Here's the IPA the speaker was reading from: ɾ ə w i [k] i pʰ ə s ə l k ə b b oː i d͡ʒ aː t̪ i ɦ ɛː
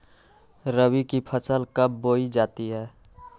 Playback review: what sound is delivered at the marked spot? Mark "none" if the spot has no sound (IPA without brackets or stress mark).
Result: k